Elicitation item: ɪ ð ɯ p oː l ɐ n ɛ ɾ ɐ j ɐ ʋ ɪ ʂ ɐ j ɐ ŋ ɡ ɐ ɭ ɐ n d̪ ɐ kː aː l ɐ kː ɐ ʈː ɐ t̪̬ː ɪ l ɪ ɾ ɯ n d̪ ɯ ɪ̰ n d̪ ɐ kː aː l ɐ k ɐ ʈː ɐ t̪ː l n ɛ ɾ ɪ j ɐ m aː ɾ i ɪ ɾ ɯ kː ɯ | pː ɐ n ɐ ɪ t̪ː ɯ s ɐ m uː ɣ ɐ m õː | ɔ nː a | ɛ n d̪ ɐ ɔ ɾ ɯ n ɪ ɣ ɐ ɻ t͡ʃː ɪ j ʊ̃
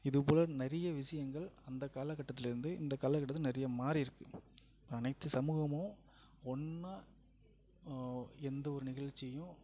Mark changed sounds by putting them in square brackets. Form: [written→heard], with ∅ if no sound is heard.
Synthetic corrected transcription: ɪ ð ɯ p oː l ɐ n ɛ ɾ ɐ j ɐ ʋ ɪ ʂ ɐ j ɐ ŋ ɡ ɐ ɭ ɐ n d̪ ɐ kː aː l ɐ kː ɐ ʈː ɐ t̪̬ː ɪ l ɪ ɾ ɯ n d̪ ɯ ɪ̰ n d̪ ɐ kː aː l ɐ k ɐ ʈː ɐ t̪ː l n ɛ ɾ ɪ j ɐ m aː ɾ i ɪ ɾ ɯ kː ɯ | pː ɐ n ɐ ɪ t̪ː ɯ s ɐ m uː ɣ ɐ m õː | ɔ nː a | ɛ n d̪ ɐ ɔ ɾ ɯ n ɪ ɣ ɐ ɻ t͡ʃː ɪ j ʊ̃